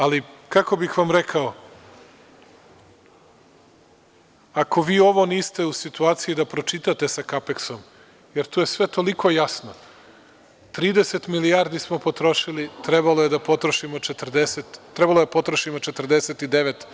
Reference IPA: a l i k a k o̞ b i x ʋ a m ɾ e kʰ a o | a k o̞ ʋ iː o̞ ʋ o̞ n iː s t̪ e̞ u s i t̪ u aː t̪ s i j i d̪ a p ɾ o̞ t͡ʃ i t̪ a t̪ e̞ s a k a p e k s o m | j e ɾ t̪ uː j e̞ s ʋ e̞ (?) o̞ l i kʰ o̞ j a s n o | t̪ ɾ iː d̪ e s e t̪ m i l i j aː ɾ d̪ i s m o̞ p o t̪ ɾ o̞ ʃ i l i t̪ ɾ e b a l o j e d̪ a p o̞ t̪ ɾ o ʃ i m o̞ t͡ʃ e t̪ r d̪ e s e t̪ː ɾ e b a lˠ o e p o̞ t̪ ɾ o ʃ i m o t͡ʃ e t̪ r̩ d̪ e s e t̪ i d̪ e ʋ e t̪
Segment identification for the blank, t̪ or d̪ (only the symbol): t̪